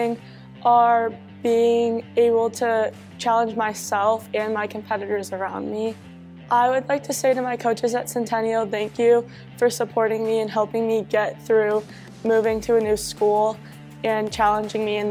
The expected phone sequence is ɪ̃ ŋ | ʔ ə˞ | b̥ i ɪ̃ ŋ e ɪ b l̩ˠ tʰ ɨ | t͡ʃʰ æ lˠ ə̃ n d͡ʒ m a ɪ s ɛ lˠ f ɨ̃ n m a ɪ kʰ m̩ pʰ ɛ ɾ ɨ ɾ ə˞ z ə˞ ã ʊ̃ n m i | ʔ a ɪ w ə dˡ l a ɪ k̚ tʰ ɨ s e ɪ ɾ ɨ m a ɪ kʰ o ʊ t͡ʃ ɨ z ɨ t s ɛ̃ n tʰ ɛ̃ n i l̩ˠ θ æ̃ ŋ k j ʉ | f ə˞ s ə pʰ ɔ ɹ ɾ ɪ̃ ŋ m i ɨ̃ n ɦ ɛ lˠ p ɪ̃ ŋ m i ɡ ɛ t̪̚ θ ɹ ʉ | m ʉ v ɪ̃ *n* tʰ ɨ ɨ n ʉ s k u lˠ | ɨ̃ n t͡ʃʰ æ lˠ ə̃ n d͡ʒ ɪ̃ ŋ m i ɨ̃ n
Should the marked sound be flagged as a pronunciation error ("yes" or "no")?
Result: yes